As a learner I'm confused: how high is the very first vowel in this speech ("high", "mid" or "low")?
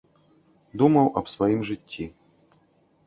high